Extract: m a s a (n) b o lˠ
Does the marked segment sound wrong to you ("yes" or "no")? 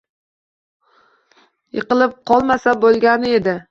yes